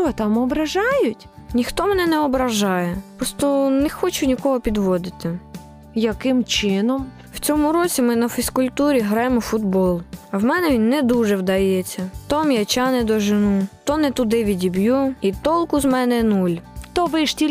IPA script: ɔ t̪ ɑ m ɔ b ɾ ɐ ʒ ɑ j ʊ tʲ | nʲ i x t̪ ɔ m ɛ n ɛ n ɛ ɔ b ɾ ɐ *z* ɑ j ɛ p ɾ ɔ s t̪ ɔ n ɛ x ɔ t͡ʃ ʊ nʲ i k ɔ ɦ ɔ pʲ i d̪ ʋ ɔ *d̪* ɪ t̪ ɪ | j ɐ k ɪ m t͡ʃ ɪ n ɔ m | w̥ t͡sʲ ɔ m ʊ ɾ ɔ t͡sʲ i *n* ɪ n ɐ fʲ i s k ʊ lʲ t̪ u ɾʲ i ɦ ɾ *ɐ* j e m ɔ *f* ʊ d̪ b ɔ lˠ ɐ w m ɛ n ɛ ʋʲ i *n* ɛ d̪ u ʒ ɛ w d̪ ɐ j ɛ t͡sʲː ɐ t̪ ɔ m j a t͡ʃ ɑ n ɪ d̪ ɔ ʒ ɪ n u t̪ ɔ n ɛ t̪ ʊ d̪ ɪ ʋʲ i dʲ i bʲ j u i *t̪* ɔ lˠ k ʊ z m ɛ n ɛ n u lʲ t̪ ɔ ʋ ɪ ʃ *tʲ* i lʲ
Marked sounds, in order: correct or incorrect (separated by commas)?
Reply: incorrect, correct, incorrect, incorrect, correct, incorrect, correct, correct